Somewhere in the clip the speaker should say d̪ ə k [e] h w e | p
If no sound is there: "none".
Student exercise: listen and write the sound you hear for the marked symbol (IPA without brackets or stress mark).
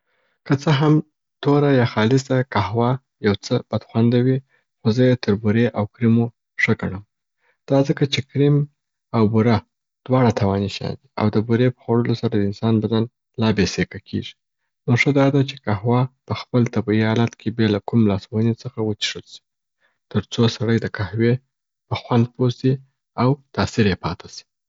a